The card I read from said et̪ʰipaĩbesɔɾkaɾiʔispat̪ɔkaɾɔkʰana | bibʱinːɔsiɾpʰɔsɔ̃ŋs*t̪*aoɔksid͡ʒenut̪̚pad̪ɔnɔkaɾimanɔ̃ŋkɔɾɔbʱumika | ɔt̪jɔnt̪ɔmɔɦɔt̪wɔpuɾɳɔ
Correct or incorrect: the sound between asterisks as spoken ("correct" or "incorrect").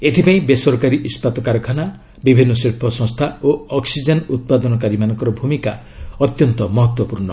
incorrect